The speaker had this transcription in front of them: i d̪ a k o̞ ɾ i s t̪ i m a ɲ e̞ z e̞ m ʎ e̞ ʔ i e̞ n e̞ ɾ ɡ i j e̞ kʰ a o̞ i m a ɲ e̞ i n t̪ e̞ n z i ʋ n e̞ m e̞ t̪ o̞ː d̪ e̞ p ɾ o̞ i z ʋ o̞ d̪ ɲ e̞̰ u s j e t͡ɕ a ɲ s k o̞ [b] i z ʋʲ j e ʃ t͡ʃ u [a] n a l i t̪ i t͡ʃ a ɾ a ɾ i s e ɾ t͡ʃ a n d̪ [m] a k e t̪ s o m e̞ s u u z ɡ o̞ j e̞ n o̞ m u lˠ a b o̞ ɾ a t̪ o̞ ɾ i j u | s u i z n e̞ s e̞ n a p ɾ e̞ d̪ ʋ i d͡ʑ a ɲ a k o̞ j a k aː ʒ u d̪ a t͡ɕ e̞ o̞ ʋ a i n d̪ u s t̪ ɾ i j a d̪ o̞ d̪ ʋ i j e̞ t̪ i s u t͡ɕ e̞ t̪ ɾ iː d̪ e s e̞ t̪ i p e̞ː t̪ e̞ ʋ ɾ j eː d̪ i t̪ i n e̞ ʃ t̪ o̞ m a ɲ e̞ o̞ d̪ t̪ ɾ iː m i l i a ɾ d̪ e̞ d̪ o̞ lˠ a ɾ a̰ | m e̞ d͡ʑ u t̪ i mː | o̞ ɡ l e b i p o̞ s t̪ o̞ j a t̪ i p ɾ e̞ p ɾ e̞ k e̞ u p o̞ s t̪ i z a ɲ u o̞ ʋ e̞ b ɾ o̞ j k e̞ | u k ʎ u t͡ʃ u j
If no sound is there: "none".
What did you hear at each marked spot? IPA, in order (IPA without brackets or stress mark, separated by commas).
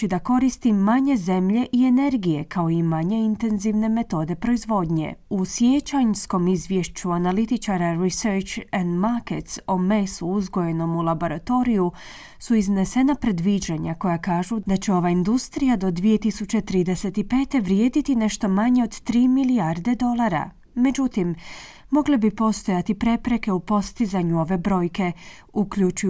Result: m, a, m